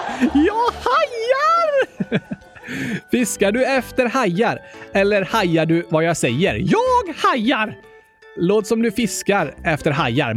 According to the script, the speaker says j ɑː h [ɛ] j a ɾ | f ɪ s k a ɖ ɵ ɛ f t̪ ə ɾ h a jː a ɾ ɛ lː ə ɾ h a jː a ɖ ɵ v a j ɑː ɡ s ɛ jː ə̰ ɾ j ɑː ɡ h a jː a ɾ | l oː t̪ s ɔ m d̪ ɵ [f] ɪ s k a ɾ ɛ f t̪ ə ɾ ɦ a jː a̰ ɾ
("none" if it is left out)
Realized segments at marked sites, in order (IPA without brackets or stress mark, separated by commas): a, f